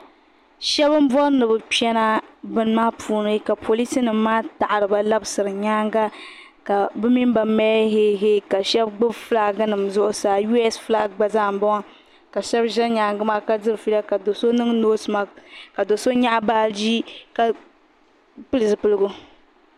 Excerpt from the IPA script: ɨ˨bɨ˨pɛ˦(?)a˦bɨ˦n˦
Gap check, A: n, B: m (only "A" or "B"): A